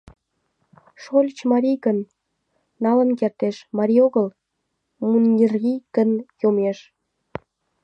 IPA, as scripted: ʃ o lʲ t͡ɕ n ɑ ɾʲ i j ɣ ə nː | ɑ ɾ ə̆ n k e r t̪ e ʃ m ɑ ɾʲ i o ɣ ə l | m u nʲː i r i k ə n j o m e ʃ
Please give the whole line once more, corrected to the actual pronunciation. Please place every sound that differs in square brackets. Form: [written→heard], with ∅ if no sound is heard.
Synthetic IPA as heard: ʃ o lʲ t͡ɕ [n→m] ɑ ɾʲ i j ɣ ə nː | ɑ [ɾ→l] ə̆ n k e r t̪ e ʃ m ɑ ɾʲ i o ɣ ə l | m u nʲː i r i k ə n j o m e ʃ